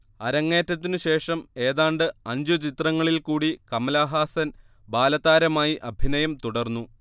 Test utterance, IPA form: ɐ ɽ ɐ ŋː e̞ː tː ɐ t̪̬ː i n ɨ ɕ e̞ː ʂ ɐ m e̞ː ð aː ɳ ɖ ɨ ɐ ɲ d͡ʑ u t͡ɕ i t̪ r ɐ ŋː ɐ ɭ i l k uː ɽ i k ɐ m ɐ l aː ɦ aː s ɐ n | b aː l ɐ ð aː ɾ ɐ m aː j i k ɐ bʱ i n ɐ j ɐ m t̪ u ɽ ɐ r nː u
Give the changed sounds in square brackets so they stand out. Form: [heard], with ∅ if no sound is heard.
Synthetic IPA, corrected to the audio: ɐ [ɾ] ɐ ŋː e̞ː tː ɐ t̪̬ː i n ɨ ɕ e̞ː ʂ ɐ m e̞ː ð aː ɳ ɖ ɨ ɐ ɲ d͡ʑ u t͡ɕ i t̪ r ɐ ŋː ɐ ɭ i l k uː ɽ i k ɐ m ɐ l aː ɦ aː s ɐ n | b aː l ɐ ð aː ɾ ɐ m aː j i [ʔ] ɐ bʱ i n ɐ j ɐ m t̪ u ɽ ɐ r nː u